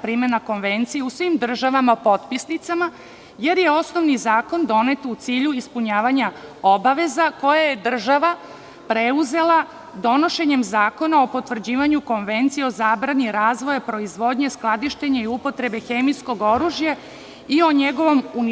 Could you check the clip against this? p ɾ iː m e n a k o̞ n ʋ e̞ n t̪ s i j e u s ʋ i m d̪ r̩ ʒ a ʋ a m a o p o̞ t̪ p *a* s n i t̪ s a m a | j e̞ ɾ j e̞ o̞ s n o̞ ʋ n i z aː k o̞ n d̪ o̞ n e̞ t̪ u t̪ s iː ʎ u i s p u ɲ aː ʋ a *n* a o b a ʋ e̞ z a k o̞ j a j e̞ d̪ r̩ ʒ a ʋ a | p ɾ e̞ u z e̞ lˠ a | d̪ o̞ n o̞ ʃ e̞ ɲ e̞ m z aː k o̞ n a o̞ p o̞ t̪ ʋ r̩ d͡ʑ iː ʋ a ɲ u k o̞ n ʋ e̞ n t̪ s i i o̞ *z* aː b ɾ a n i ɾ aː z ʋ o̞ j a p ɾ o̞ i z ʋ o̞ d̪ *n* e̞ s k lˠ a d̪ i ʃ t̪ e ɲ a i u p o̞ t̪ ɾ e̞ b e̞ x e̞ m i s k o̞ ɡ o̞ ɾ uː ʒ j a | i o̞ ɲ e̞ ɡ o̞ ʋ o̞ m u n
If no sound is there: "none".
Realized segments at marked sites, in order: i, ɲ, z, ɲ

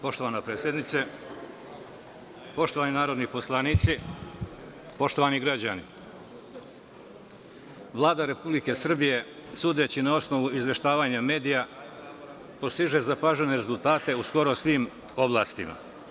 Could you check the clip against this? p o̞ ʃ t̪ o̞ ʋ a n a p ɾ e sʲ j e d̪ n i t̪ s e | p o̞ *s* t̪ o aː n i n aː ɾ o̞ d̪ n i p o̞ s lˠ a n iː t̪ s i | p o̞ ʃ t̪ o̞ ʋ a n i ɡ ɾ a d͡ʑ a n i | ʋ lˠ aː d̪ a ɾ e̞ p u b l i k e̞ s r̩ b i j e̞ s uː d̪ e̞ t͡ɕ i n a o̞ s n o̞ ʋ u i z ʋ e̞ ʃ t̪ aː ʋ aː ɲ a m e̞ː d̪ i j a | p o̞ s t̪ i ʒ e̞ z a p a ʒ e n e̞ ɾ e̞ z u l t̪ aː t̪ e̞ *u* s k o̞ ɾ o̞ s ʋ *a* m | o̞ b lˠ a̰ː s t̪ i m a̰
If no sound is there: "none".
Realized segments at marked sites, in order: ʃ, u, i

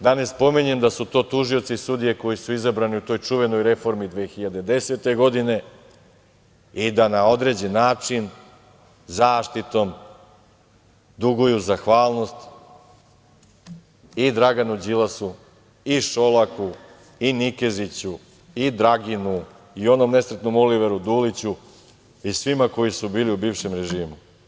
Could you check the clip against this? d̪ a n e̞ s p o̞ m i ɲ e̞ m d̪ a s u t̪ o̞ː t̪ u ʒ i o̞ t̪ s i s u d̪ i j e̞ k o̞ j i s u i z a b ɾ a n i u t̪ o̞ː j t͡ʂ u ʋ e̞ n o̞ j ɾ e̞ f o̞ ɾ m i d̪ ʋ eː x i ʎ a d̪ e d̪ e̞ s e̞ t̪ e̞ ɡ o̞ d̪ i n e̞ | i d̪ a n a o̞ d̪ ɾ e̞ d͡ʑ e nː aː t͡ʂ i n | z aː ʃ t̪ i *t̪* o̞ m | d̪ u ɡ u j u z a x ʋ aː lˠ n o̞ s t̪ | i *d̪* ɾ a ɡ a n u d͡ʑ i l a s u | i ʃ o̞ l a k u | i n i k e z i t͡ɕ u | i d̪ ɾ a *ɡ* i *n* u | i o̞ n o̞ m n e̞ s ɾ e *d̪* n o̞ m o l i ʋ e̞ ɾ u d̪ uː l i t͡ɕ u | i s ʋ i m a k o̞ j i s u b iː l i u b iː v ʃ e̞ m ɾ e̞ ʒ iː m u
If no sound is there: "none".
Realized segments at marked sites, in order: t̪, d̪, ɡ, n, t̪

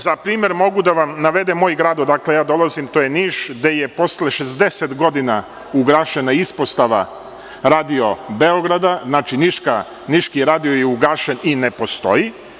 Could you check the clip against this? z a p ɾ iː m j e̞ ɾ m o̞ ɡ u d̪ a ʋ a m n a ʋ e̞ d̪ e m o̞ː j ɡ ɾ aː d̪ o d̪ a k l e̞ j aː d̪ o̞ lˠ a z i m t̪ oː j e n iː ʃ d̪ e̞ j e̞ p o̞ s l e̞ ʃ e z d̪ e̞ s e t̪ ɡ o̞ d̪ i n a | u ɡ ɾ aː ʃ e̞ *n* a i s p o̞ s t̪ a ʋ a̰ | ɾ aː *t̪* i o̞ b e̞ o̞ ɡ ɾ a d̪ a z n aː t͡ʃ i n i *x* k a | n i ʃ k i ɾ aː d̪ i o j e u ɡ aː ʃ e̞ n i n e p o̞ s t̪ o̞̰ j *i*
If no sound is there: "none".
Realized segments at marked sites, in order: n, d̪, ʃ, i

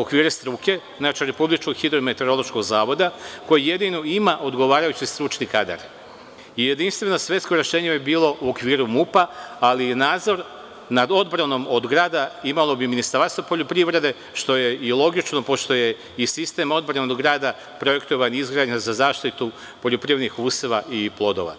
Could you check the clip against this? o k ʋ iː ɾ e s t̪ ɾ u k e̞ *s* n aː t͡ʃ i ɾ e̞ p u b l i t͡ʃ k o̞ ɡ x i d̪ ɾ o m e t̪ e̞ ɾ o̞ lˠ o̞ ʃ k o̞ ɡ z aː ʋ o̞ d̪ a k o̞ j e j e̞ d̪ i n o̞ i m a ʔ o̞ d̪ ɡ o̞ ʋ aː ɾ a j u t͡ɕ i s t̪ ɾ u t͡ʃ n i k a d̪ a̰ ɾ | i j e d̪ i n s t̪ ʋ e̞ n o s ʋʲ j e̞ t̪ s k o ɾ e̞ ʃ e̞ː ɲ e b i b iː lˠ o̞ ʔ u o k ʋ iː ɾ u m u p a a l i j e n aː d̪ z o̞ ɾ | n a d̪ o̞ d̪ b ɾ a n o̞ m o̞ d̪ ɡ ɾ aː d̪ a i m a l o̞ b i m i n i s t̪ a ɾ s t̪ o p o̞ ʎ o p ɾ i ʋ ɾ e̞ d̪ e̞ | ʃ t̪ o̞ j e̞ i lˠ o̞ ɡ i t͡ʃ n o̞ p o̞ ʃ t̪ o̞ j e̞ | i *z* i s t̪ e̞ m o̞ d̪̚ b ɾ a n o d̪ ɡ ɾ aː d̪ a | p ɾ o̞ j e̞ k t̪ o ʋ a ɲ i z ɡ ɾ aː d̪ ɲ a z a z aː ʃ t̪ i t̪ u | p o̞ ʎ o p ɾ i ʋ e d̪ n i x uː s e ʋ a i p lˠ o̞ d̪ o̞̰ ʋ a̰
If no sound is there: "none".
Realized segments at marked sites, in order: z, s

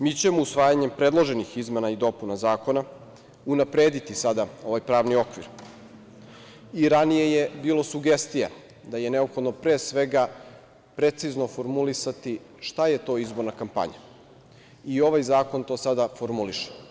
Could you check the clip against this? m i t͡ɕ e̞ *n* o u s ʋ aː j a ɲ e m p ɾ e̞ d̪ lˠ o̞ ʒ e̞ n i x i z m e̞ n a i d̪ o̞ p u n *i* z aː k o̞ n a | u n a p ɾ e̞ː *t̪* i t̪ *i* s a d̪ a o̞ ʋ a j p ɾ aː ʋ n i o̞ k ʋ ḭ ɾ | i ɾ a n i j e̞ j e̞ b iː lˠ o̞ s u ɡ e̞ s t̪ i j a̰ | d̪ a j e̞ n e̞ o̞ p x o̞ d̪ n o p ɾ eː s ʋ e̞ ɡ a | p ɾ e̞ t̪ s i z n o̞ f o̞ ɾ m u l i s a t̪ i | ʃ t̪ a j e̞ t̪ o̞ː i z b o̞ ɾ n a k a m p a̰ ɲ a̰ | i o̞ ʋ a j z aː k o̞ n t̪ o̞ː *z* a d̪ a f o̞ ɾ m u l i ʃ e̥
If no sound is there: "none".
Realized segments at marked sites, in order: m, a, d̪, i, s

